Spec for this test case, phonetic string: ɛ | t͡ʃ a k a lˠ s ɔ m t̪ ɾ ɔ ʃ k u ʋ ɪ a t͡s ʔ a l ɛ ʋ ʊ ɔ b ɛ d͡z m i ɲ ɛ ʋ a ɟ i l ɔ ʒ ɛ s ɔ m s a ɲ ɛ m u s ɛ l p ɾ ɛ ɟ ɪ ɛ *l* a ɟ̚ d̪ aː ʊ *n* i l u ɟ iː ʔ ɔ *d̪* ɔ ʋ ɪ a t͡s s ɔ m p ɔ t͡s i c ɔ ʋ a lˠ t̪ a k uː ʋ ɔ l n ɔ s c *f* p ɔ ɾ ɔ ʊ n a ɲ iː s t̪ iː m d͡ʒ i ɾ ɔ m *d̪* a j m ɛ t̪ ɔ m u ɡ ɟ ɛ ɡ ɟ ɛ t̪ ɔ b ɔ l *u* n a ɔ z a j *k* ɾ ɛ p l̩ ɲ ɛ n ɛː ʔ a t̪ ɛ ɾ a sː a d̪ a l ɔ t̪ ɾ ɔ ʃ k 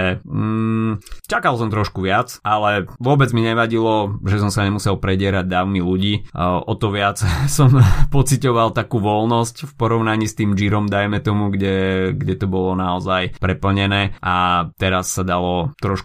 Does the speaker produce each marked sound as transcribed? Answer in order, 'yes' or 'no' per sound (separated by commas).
no, no, no, yes, yes, no, no